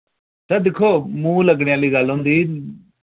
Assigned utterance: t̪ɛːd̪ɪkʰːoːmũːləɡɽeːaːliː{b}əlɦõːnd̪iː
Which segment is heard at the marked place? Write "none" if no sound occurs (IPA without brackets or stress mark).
ɡ